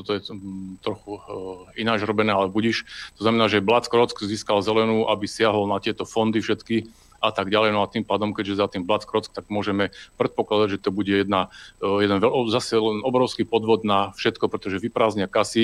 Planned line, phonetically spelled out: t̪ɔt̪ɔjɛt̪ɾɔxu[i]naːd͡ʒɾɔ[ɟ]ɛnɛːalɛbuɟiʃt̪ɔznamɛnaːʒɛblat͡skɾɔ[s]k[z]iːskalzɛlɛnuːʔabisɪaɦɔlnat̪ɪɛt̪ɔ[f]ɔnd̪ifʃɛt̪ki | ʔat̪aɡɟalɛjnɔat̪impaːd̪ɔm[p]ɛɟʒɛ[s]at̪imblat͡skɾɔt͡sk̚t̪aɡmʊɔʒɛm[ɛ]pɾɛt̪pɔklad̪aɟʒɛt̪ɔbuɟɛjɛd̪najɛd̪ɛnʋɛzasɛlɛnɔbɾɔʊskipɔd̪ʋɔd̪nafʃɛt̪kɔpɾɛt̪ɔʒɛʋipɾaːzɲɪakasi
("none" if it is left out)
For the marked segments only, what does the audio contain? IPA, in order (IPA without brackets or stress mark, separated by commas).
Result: i, b, t͡s, z, f, k, z, ɛ